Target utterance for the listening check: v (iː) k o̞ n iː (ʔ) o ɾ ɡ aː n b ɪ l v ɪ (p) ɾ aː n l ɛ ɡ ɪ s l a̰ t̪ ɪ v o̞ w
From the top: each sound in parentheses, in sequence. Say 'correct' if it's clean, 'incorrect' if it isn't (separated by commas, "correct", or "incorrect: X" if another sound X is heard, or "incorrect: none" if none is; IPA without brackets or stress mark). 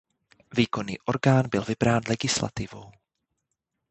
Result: correct, correct, incorrect: b